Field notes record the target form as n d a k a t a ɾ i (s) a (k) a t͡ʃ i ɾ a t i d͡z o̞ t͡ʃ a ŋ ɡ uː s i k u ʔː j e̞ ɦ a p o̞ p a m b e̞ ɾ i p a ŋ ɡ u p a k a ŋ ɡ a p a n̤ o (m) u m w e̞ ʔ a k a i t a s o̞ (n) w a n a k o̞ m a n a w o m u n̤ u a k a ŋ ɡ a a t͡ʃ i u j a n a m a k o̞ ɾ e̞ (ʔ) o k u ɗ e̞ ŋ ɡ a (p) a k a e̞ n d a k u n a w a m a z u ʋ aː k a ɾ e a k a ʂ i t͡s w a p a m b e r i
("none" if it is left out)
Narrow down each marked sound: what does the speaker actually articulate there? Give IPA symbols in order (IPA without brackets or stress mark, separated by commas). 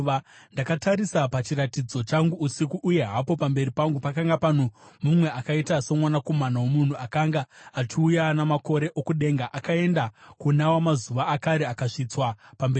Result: s, p, m, m, ʔ, ʔ